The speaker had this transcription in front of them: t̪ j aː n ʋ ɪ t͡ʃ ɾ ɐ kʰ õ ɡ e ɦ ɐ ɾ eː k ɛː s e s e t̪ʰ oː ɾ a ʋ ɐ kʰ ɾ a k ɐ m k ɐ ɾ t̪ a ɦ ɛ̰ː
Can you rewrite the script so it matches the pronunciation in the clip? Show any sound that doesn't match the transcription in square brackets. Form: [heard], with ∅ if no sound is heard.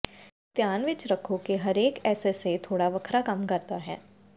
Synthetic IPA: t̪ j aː n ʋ ɪ t͡ʃ ɾ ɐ kʰ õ [k] e ɦ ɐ ɾ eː k ɛː s e s e t̪ʰ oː [ɽ] a ʋ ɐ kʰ ɾ a k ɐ m k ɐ ɾ t̪ a ɦ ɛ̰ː